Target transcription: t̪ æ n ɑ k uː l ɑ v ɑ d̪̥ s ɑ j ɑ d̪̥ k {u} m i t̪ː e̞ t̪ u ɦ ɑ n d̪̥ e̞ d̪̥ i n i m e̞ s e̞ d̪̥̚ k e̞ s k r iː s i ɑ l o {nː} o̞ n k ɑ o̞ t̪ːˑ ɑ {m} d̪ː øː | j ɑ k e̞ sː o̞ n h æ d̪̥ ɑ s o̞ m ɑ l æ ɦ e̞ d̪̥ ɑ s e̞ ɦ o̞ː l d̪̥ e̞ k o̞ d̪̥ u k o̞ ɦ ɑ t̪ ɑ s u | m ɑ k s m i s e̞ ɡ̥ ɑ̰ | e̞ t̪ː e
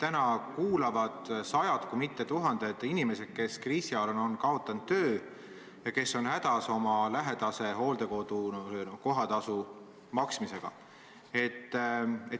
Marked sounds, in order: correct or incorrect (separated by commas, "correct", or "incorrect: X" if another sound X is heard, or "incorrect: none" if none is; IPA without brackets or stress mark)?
correct, incorrect: n, incorrect: n